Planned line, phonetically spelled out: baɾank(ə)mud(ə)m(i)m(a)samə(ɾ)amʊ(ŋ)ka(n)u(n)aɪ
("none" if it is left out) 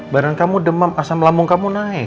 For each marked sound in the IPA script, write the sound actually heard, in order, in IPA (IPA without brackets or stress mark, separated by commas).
a, ə, a, a, l, ŋ, m, n